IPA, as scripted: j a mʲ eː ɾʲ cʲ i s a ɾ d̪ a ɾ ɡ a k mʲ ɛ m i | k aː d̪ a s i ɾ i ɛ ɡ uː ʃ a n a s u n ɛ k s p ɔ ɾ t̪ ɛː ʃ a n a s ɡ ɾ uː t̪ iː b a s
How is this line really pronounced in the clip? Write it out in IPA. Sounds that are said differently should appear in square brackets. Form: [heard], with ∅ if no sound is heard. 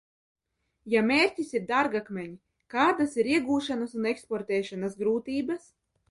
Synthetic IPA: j a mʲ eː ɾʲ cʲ i s [i] ɾ d̪ a ɾ ɡ a k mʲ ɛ [ɲ] i | k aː d̪ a s i ɾ i ɛ ɡ uː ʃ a n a s u n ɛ k s p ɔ ɾ t̪ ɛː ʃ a n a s ɡ ɾ uː t̪ iː b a s